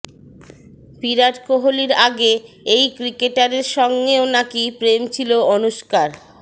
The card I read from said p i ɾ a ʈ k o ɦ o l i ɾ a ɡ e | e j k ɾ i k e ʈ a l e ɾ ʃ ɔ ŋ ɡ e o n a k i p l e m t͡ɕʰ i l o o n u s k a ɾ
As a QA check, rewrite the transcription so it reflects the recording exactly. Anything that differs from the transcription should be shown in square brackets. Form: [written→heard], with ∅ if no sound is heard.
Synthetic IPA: p i ɾ a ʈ k o ɦ o l i ɾ a ɡ e | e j k ɾ i k e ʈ a [l→ɾ] e ɾ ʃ ɔ ŋ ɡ e o n a k i p [l→ɾ] e m t͡ɕʰ i l o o n u [s→ʃ] k a ɾ